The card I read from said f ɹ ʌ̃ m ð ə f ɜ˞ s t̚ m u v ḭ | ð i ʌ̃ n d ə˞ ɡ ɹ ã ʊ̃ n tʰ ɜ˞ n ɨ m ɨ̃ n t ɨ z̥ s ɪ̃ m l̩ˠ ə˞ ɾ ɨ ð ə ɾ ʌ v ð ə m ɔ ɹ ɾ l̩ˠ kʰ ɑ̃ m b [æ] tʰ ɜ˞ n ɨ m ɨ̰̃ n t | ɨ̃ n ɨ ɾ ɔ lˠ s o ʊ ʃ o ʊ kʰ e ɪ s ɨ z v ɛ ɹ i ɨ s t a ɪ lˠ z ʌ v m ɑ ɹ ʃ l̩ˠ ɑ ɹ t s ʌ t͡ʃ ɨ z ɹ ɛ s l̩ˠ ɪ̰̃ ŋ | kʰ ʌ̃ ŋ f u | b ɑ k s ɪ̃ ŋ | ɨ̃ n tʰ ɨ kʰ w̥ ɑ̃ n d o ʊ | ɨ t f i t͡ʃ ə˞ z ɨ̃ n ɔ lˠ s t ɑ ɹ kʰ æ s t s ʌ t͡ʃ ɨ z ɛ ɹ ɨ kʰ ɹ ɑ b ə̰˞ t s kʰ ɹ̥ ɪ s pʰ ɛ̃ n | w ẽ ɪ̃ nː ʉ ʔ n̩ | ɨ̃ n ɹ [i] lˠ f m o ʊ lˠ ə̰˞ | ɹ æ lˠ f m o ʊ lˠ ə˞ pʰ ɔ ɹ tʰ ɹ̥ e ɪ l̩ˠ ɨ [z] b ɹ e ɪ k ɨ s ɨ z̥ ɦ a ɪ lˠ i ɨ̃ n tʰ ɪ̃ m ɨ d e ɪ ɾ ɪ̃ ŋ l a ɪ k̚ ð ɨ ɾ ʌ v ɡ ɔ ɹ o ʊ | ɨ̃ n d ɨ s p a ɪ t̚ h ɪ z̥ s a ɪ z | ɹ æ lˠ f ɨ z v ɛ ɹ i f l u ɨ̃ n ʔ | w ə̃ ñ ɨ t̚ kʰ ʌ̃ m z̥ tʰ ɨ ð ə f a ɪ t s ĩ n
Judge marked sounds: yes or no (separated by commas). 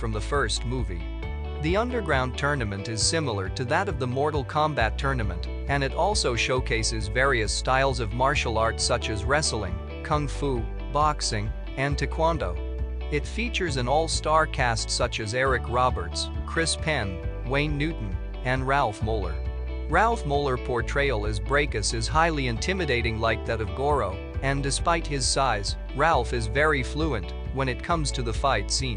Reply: yes, no, yes